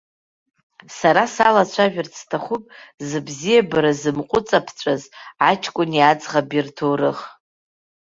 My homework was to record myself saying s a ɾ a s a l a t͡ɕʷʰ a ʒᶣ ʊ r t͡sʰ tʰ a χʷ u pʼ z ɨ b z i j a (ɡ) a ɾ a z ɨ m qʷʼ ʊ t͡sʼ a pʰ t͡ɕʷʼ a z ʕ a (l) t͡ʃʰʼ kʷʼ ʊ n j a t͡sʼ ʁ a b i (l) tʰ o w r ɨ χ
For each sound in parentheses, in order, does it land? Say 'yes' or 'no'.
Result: no, no, no

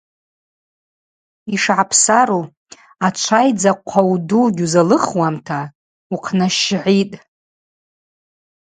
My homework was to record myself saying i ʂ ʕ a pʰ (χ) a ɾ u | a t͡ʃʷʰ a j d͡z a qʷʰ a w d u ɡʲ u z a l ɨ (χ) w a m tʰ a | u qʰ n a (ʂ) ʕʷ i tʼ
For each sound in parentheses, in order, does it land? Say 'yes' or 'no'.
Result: no, yes, no

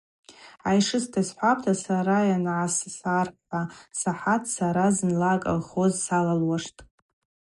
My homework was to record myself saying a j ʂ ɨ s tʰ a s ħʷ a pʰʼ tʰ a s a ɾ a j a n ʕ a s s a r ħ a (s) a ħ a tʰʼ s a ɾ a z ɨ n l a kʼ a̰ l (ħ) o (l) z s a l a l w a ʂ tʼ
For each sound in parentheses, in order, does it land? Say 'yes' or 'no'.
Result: yes, no, no

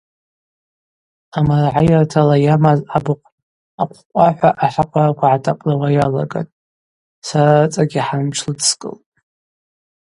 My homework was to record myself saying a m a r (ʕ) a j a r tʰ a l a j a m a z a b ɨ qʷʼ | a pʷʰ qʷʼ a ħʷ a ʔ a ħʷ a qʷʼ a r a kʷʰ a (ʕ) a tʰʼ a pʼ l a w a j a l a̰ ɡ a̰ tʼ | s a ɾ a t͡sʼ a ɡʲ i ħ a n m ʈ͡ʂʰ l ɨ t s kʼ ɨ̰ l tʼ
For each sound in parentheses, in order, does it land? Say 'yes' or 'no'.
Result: yes, yes

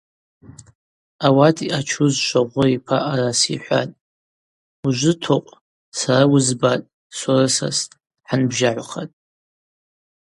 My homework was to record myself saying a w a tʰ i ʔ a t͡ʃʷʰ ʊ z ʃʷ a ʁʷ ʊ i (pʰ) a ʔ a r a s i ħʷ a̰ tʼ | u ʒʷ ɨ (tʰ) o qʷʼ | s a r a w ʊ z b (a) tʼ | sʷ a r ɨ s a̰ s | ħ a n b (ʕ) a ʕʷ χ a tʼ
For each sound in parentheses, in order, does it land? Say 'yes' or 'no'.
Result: yes, yes, yes, no

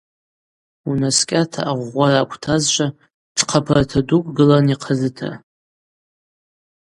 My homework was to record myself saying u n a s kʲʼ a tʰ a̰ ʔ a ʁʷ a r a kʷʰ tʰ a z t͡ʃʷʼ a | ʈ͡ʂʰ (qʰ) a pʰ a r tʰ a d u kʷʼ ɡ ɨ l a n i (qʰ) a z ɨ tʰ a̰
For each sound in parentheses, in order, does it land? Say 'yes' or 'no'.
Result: yes, yes

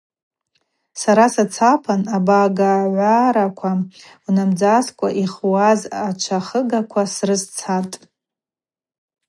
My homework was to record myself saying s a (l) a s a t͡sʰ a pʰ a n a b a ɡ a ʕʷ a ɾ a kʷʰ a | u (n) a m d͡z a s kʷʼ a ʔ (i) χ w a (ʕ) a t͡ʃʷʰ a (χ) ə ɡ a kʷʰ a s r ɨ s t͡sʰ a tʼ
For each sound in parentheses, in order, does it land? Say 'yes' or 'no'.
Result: no, yes, yes, no, yes

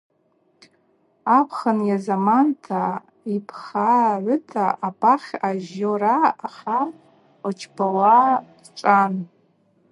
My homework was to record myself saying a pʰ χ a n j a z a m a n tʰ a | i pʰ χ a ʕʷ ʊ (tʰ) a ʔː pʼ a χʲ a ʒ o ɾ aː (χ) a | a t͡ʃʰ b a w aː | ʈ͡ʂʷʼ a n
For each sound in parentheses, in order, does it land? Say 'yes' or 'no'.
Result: yes, yes

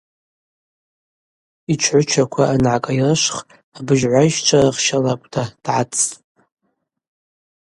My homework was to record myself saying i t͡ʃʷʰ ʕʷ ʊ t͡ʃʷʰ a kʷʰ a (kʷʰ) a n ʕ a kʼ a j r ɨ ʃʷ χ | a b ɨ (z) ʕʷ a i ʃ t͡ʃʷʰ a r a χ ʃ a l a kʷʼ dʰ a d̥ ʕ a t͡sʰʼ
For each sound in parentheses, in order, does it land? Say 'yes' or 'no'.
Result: no, no

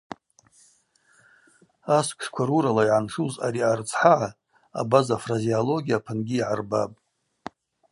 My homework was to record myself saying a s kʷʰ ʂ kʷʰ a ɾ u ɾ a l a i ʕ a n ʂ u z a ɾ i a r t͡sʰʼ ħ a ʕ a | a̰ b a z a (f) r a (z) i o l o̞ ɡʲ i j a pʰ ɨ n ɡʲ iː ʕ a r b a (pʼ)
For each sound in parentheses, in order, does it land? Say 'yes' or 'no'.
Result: yes, yes, yes

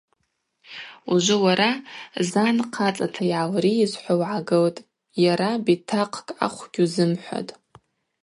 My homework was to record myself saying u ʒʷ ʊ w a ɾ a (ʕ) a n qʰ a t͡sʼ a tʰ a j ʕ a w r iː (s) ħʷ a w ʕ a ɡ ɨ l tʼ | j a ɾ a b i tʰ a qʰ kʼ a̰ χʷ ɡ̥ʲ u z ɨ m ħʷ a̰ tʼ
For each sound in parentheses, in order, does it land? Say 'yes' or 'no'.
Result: no, no

